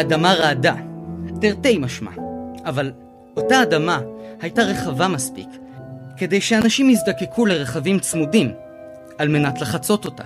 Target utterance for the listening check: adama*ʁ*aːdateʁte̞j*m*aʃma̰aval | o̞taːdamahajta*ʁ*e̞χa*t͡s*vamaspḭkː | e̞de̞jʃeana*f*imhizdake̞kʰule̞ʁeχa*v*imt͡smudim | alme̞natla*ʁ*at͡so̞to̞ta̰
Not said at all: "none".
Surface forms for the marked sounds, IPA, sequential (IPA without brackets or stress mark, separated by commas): ʁ, m, ʁ, none, ʃ, v, χ